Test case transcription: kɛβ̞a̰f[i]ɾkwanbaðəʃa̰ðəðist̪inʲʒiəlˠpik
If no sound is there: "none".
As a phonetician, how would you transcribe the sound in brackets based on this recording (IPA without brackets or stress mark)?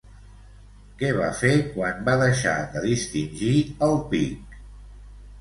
e